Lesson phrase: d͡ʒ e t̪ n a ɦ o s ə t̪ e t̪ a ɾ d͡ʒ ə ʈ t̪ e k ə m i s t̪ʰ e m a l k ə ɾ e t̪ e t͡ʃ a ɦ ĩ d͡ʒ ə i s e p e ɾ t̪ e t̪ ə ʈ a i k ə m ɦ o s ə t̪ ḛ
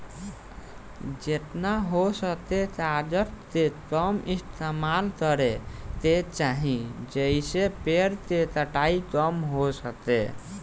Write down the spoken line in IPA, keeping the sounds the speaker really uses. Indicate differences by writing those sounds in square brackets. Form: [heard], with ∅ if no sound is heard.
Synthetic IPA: d͡ʒ e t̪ n a ɦ o s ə t̪ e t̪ a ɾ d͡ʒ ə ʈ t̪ e k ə m i s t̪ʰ e m a l k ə ɾ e t̪ e t͡ʃ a ɦ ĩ d͡ʒ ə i s e p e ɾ t̪ e t̪ ə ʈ a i k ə m ɦ o s ə t̪ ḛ